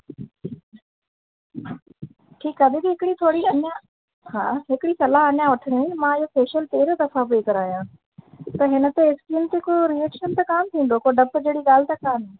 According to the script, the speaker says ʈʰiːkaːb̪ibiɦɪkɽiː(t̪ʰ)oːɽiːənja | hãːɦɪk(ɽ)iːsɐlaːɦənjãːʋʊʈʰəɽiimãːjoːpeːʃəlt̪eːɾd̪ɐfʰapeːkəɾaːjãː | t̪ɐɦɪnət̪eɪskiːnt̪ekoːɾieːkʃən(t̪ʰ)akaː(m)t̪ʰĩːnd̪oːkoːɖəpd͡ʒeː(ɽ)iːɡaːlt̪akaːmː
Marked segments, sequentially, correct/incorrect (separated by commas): correct, correct, incorrect, correct, correct